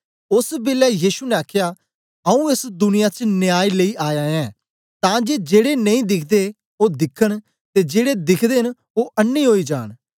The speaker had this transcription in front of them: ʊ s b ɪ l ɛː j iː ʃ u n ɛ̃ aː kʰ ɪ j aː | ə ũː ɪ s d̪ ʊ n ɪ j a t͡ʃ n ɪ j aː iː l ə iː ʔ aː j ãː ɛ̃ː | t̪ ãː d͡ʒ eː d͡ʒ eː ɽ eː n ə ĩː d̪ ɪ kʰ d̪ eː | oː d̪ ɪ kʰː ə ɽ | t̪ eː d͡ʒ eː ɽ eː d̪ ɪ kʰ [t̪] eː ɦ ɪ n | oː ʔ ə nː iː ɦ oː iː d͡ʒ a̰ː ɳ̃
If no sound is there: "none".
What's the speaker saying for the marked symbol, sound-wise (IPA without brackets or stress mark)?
d̪